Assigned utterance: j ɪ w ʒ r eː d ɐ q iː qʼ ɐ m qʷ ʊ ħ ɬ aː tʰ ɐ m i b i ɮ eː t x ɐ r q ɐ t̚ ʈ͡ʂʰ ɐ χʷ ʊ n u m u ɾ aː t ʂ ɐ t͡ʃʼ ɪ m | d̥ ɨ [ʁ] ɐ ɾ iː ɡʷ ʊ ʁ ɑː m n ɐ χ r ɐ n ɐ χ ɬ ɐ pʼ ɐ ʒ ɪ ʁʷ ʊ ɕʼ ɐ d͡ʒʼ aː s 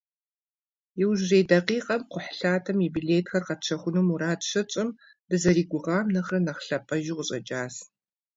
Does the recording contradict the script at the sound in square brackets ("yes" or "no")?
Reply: yes